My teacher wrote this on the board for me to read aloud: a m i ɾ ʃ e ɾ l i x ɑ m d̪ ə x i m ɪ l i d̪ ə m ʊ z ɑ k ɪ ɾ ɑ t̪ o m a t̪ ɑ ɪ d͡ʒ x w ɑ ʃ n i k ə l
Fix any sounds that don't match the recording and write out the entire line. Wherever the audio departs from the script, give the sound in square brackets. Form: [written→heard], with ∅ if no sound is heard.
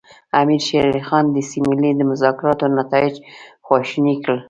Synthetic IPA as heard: a m i ɾ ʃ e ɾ l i x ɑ [m→n] d̪ ə [x→s] i m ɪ l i d̪ ə m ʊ z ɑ k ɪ ɾ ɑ t̪ o [m→n] a t̪ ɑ ɪ d͡ʒ x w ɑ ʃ n i k ə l

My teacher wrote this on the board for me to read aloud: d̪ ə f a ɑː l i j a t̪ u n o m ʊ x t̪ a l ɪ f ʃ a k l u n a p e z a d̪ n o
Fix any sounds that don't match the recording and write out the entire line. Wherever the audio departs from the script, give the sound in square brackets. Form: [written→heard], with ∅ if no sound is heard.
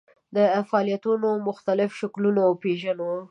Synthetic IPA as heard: d̪ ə f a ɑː l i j a t̪ u n o m ʊ x t̪ a l ɪ f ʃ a k l u n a p e [z→ʒ] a [d̪→∅] n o

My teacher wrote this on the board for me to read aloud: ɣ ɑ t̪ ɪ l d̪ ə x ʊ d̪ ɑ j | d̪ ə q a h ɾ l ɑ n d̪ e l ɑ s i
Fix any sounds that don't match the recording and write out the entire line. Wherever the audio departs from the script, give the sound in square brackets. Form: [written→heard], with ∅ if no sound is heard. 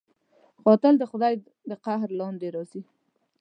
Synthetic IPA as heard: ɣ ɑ t̪ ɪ l d̪ ə x ʊ d̪ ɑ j | d̪ ə q a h ɾ l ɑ n d̪ e [l→ɾ] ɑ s i

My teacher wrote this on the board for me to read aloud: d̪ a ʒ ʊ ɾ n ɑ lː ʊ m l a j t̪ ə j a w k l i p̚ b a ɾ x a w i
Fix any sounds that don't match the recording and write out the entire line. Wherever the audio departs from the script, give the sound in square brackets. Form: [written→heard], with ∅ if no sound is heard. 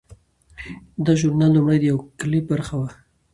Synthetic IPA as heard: d̪ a ʒ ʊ ɾ n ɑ lː ʊ m [l→ɽ] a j [t̪→d̪] ə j a w k l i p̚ b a ɾ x a w [i→a]

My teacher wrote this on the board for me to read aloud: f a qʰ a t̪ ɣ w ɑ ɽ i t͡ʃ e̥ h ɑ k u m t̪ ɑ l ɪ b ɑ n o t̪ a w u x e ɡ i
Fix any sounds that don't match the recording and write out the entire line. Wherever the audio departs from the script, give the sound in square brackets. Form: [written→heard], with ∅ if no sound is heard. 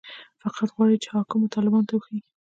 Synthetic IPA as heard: f a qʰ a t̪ ɣ w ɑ ɽ i t͡ʃ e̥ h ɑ k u m t̪ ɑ l ɪ b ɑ n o t̪ a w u x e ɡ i

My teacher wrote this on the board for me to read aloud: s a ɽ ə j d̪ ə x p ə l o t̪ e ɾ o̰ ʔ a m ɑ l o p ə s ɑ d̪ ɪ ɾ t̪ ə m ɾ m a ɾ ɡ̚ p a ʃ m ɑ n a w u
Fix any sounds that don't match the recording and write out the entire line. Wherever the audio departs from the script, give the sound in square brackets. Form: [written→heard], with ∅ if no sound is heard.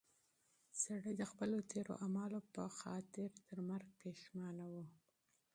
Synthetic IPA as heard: s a ɽ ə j d̪ ə x p ə l o t̪ e ɾ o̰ ʔ a m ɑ l o p ə [s→x] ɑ [d̪→t̪] ɪ ɾ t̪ ə [m→∅] ɾ m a ɾ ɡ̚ p [a→e] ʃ m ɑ n a w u

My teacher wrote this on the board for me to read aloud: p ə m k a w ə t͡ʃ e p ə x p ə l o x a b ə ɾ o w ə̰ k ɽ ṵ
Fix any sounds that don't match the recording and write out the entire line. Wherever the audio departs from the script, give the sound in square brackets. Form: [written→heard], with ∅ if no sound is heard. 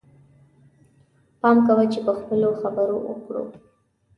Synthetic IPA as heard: p [ə→ɑ] m k a w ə t͡ʃ e p ə x p ə l o x a b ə ɾ o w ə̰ k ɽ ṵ

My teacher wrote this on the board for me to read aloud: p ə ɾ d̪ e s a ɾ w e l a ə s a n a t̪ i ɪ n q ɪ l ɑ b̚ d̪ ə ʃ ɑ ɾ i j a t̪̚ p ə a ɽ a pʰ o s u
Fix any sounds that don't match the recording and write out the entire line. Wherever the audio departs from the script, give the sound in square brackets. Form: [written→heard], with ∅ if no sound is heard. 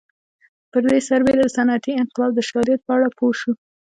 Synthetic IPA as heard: p ə ɾ d̪ e s a ɾ [w→b] e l a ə s a n a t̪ i ɪ n q ɪ l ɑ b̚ d̪ ə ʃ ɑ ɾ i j a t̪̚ p ə a ɽ a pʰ o [s→ʃ] u

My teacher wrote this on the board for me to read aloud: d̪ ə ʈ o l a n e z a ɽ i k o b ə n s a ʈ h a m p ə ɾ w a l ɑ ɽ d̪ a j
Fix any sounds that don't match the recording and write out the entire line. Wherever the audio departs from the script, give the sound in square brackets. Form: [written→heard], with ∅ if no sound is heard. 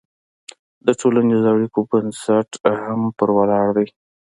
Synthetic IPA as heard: d̪ ə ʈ o l a n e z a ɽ i k o b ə n s a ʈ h a m p ə ɾ w a l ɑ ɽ d̪ a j

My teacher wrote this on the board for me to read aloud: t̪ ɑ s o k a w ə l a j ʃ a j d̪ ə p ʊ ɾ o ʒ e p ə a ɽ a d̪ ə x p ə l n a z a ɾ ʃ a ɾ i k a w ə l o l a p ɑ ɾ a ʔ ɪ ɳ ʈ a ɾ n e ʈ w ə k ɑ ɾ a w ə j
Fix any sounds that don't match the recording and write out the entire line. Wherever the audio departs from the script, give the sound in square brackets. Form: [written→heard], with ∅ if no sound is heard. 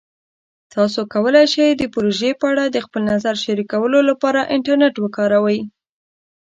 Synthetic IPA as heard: t̪ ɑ s o k a w ə l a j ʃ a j d̪ ə p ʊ ɾ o ʒ e p ə a ɽ a d̪ ə x p ə l n a z a ɾ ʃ a ɾ i k a w ə l o l a p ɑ ɾ a ʔ ɪ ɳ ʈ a ɾ n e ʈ w ə k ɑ ɾ a w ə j

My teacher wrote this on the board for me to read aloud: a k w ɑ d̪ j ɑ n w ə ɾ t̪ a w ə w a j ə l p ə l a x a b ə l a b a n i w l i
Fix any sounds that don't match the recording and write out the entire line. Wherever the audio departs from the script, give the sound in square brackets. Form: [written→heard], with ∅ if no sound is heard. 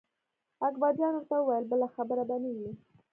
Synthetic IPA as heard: a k [w→b] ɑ d̪ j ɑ n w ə ɾ t̪ a w ə w a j ə l [p→b] ə l a x a b ə [l→ɾ] a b a n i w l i

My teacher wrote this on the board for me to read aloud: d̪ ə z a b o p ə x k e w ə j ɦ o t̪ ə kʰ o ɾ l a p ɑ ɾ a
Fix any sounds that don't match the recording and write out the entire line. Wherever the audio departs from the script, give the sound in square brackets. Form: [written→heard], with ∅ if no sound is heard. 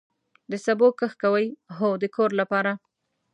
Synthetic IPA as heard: d̪ ə [z→s] a b o [p→k] ə x k [e→a] w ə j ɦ o [t̪→d̪] ə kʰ o ɾ l a p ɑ ɾ a

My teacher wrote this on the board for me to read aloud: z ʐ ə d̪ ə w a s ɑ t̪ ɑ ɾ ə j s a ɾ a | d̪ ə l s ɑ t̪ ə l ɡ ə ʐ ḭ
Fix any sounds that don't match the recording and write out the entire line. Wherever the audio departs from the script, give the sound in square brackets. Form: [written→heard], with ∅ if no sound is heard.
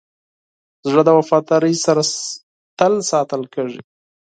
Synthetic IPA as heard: z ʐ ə d̪ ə w a [s→f] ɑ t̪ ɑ ɾ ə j s a ɾ a | [d̪→t̪] ə l s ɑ t̪ ə l [ɡ→k] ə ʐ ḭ

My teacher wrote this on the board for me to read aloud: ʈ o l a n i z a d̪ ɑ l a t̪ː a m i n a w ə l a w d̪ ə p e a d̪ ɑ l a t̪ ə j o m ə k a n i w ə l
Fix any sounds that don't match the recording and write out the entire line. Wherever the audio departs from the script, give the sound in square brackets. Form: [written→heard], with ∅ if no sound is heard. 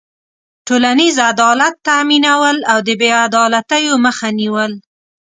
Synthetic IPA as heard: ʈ o l a n i z a d̪ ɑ l a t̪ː a m i n a w ə l a w d̪ ə [p→b] e a d̪ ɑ l a t̪ ə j o m ə [k→x] a n i w ə l

